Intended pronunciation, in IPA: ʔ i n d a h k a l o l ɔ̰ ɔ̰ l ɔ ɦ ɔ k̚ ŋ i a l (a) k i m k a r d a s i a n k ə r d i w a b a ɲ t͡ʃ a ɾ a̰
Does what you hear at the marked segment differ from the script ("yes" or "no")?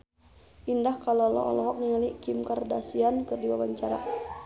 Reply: yes